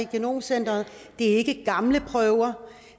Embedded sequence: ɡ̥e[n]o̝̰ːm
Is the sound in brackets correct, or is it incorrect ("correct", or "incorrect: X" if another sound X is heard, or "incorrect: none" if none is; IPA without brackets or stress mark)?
correct